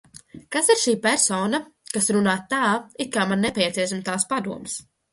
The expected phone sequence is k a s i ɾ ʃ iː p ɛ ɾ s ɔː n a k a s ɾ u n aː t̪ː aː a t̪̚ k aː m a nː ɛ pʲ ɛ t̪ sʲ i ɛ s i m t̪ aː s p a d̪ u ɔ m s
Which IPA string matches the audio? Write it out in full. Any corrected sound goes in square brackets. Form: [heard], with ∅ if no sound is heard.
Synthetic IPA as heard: k a s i ɾ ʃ iː p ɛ ɾ s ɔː n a k a s ɾ u n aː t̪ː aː [i] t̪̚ k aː m a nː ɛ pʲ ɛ t̪ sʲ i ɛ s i m t̪ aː s p a d̪ u ɔ m s